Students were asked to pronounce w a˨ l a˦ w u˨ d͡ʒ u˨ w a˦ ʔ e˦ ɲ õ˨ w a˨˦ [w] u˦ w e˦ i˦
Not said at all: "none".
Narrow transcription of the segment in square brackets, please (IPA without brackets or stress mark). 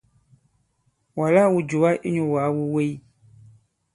w